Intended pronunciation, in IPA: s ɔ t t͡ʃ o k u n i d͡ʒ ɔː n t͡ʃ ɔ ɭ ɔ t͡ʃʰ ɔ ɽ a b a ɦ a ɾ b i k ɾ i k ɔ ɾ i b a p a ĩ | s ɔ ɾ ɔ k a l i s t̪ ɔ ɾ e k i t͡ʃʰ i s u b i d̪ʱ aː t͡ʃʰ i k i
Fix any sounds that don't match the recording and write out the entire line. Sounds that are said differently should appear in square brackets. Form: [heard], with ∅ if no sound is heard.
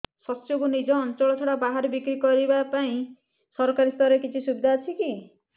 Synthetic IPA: s ɔ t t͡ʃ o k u n i d͡ʒ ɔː n t͡ʃ ɔ ɭ ɔ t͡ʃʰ ɔ ɽ a b a ɦ a ɾ b i k ɾ i k ɔ ɾ i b a p a ĩ | s ɔ ɾ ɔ k a [ɾ] i s t̪ ɔ ɾ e k i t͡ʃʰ i s u b i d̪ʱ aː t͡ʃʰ i k i